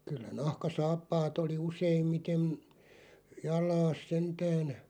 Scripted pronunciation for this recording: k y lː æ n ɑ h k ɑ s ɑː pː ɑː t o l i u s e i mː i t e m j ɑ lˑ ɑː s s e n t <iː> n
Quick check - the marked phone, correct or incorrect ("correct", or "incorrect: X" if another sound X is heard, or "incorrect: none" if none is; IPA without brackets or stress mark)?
incorrect: æː